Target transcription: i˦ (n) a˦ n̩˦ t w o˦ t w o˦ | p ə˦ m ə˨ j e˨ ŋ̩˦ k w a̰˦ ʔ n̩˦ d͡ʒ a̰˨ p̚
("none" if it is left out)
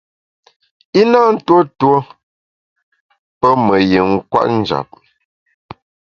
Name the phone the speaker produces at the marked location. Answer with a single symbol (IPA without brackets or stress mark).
n